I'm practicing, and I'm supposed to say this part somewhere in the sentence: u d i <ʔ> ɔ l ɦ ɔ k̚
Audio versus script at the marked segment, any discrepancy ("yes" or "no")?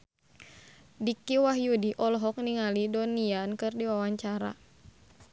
no